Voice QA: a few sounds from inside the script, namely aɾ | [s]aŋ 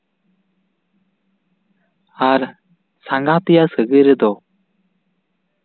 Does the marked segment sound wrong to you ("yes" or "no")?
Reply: no